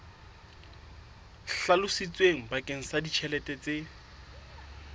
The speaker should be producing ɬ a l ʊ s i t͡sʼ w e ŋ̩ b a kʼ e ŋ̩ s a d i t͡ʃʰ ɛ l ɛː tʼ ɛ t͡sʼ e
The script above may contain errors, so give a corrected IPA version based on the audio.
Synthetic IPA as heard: ɬ a l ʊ s i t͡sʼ w e ŋ̩ b a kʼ e ŋ̩ s a d i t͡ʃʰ ɛ l ɛ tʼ ɛ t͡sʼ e